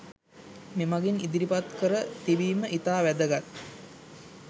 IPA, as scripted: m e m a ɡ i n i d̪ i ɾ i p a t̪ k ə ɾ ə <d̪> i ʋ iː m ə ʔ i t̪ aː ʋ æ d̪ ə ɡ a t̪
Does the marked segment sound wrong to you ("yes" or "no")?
yes